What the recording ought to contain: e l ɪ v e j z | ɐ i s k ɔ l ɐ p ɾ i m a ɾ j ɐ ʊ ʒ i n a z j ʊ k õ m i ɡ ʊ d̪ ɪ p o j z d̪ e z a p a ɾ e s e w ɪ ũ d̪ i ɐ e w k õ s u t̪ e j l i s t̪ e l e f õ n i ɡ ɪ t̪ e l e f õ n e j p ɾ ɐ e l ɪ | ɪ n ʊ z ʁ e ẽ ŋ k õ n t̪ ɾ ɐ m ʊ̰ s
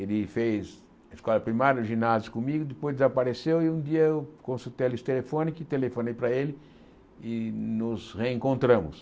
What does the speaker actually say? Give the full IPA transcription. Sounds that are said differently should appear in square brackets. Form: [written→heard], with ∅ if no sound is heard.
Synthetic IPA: e l ɪ [v→f] e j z | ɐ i s k ɔ l ɐ p ɾ i m a ɾ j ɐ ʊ ʒ i n a z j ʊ k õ m i ɡ ʊ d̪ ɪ p o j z d̪ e z a p a ɾ e s e w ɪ ũ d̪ i ɐ e w k õ s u t̪ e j l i s t̪ e l e f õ n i [ɡ→k] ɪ t̪ e l e f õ n e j p ɾ ɐ e l ɪ | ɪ n ʊ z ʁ e ẽ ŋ k õ n t̪ ɾ [ɐ→ɐ̃] m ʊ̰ s